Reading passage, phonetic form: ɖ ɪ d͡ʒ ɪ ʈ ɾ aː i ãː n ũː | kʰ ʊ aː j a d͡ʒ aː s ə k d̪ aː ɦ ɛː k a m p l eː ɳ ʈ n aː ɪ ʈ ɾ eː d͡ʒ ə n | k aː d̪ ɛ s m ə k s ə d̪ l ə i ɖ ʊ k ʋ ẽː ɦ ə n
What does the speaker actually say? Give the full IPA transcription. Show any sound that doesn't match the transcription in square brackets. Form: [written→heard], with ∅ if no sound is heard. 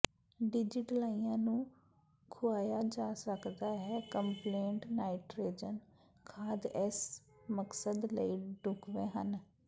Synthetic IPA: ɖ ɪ d͡ʒ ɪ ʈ [ɾ→l] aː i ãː n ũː | kʰ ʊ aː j a d͡ʒ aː s ə k d̪ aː ɦ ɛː k [a→ə] m p l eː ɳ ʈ n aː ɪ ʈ ɾ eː d͡ʒ ə n | [k→kʰ] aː d̪ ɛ s m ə k s ə d̪ l ə i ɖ ʊ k ʋ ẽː ɦ ə n